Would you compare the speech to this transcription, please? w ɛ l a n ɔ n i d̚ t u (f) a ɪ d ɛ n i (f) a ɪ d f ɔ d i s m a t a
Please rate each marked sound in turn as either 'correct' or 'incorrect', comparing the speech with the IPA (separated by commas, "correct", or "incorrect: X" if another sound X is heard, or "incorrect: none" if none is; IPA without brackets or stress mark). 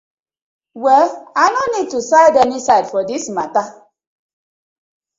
incorrect: s, incorrect: s